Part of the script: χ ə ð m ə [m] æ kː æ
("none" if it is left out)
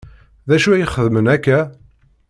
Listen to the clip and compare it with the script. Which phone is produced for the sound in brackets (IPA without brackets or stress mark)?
n